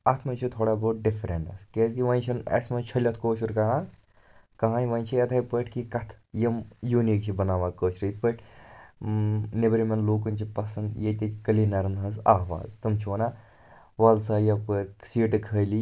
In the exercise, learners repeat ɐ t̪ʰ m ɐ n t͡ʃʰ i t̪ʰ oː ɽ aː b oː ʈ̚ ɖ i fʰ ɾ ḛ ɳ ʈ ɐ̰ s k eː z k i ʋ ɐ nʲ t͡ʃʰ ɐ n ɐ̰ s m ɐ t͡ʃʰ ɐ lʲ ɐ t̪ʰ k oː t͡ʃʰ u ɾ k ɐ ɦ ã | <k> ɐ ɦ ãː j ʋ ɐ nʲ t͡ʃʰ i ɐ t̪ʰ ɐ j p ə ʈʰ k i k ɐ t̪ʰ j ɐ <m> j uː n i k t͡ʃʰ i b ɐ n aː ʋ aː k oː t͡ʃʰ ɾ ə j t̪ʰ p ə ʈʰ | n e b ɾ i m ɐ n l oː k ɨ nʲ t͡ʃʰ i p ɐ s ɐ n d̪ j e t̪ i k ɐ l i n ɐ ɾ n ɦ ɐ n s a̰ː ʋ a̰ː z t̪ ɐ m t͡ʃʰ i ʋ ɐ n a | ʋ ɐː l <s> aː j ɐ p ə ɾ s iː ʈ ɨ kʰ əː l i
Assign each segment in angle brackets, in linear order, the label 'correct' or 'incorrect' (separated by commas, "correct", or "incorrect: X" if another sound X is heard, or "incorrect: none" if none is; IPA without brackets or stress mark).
correct, correct, correct